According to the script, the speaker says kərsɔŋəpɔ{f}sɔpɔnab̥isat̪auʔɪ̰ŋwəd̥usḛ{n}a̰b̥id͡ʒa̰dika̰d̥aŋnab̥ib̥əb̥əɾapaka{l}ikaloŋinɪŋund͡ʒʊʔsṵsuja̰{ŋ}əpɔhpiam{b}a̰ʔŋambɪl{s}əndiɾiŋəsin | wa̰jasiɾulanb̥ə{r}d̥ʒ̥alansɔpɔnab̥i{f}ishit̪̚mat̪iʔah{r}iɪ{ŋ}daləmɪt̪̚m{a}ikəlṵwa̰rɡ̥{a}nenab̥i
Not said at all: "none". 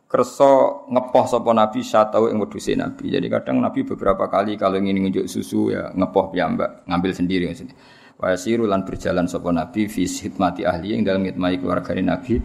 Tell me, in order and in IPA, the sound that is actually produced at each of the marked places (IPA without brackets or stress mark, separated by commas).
h, n, l, ŋ, b, s, r, f, l, ŋ, a, a